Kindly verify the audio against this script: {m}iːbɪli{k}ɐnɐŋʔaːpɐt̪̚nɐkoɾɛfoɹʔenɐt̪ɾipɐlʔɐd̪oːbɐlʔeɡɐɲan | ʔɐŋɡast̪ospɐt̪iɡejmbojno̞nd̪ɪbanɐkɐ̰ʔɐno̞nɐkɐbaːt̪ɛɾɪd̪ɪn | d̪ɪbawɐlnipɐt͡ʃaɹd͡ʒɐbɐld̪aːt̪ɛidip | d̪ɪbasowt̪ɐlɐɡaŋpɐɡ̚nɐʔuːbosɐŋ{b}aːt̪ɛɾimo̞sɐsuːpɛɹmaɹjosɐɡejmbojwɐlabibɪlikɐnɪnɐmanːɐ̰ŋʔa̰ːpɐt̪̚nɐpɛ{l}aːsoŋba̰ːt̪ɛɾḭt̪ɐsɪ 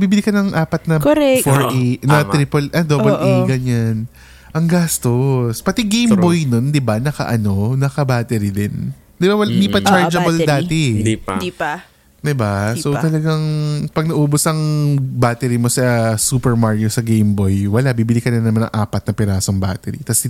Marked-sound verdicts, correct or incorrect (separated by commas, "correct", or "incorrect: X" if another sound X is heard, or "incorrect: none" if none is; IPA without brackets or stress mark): incorrect: b, correct, correct, incorrect: ɾ